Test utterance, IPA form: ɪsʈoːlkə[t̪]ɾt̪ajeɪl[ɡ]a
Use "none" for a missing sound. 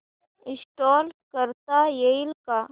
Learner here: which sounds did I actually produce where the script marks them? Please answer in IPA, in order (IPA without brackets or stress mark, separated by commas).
none, k